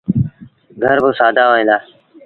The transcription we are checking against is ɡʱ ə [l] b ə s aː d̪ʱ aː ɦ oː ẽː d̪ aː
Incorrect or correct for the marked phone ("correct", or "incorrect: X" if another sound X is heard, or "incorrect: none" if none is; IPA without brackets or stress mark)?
incorrect: ɾ